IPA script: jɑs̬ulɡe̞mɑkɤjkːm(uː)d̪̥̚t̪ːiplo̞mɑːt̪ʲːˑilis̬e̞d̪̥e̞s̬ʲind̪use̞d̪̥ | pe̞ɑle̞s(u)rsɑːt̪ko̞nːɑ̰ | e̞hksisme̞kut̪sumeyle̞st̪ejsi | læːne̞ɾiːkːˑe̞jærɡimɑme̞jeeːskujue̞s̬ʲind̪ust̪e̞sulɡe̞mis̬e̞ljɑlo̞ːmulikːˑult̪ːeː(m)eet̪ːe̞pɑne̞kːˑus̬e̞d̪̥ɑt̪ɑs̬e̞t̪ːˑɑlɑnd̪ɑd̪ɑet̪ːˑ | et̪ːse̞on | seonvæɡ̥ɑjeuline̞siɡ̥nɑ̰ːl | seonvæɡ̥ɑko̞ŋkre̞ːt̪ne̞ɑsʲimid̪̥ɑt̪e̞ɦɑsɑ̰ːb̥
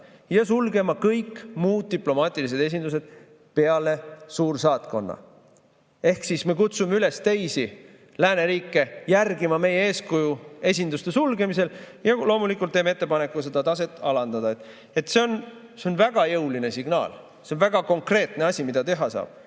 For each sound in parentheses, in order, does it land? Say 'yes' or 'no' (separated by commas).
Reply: yes, no, yes